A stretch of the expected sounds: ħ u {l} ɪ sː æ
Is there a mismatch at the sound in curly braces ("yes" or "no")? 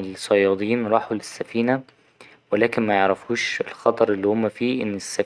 no